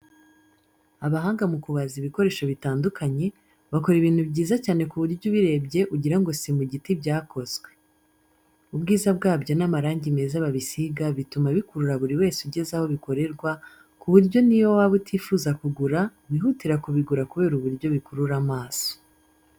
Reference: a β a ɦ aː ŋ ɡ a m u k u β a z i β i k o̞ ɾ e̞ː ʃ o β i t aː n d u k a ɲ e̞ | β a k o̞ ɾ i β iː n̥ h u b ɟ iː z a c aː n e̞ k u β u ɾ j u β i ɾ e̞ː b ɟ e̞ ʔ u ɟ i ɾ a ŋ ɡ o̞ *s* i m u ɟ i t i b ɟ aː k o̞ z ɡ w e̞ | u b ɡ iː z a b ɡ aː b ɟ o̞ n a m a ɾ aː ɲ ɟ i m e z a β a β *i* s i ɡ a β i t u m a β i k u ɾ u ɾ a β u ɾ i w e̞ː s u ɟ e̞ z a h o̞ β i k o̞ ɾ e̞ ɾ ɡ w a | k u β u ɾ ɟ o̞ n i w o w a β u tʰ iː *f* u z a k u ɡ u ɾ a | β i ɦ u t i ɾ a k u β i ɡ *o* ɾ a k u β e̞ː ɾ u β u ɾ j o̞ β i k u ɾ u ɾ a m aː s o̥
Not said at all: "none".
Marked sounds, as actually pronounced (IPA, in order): s, i, f, u

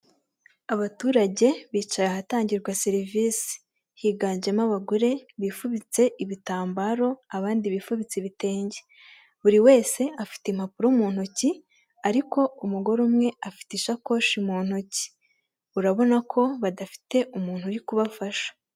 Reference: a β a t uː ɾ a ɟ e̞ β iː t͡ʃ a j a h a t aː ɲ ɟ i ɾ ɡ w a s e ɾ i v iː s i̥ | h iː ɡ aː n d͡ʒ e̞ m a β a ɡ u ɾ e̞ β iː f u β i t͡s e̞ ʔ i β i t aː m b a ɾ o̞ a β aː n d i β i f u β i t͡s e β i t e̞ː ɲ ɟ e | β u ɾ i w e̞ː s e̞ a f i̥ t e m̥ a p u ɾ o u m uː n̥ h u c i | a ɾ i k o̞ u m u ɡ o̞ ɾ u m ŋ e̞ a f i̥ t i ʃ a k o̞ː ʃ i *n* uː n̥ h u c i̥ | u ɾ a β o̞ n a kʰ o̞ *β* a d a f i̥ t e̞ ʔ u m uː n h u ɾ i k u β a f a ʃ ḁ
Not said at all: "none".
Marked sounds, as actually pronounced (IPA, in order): m, β

